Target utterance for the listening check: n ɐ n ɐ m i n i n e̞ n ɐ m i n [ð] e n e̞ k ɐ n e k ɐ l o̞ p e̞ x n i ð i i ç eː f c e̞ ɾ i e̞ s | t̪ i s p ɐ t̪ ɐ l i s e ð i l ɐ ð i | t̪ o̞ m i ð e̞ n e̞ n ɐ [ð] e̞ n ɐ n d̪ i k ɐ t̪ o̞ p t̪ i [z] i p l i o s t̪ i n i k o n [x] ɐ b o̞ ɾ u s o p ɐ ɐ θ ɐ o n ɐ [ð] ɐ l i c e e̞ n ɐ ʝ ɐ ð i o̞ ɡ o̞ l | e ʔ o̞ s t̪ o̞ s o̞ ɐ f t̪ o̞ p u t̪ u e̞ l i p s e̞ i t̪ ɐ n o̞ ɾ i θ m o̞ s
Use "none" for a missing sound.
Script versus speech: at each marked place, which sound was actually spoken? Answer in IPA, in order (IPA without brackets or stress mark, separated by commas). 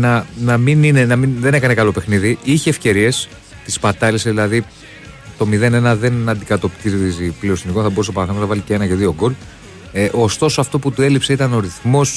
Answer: ð, ð, z, θ, v